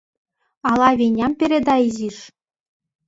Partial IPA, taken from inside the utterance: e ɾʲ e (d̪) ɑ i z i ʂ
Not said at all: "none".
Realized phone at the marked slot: d̪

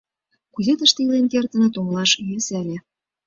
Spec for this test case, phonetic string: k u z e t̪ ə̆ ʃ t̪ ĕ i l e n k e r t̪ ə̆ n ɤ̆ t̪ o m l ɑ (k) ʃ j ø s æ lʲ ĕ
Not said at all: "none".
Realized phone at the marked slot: none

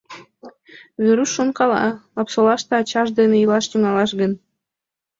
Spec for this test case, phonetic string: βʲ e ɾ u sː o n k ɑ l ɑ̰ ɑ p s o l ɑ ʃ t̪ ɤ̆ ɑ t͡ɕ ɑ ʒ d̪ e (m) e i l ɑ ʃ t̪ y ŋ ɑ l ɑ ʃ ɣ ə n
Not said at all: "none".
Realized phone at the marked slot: n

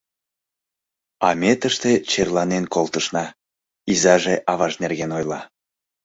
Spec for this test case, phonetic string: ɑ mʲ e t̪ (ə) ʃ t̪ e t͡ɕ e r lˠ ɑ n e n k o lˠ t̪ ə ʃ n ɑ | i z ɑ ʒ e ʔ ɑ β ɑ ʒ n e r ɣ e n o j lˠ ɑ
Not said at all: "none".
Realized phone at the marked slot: ə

